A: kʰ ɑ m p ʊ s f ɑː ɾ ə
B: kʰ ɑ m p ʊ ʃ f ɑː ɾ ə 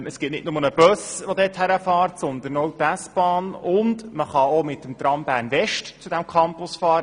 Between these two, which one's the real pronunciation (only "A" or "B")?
A